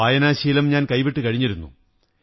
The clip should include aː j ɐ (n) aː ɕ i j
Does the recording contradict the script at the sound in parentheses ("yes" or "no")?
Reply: no